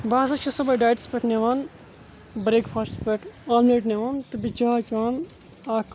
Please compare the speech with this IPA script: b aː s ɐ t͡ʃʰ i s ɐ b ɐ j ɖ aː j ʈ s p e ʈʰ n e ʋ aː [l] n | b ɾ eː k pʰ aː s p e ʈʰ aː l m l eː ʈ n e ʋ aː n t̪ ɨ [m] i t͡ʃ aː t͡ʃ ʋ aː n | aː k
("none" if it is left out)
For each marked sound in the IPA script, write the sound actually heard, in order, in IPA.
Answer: none, b

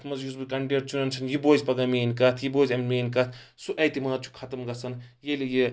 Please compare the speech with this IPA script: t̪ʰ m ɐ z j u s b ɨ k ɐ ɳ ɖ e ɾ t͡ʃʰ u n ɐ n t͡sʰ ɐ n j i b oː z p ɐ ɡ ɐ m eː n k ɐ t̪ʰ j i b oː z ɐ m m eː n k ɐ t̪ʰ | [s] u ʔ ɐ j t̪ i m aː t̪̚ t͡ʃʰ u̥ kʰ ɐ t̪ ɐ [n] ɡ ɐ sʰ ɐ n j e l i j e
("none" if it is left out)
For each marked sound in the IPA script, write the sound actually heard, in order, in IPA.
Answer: s, m

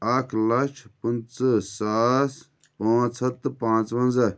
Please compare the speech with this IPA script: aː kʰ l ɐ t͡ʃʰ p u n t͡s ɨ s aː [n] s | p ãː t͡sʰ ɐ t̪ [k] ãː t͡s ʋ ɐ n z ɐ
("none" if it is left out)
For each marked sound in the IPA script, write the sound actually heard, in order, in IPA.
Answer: none, p

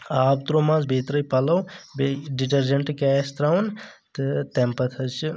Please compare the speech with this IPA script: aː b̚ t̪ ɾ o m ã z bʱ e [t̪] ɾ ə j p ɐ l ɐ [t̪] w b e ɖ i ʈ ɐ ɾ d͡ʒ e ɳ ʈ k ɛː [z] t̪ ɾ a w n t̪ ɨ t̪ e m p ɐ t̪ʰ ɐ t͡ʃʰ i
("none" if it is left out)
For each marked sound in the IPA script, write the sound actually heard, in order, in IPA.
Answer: t̪, none, s

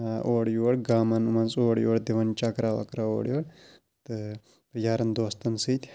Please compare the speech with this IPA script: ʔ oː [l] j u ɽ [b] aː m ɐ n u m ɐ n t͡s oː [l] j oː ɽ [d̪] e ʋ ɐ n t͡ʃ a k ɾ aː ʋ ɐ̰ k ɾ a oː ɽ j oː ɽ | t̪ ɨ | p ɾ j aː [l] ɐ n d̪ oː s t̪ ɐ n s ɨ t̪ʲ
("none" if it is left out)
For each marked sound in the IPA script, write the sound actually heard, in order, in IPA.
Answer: ɽ, ɡ, ɽ, d̪, ɾ

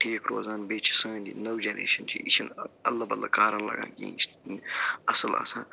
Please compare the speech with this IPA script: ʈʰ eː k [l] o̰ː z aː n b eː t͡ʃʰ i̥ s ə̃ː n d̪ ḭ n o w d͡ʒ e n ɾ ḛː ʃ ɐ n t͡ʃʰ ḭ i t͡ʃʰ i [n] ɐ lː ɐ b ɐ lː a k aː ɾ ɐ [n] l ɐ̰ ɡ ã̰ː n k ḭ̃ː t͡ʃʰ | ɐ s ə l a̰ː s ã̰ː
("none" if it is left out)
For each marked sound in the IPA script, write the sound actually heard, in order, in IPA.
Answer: ɾ, n, n

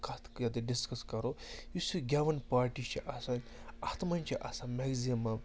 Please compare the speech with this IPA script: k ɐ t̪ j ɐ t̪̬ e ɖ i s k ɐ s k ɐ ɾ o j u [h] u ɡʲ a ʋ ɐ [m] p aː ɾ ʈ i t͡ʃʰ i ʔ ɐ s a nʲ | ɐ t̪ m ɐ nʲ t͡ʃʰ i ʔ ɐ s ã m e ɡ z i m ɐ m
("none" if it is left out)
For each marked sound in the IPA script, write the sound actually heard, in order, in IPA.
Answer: s, n

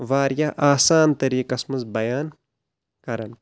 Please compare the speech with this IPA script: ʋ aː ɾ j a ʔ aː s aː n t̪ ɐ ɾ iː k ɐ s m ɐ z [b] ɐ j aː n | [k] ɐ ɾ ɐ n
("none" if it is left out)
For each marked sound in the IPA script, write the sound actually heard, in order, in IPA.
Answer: b, k

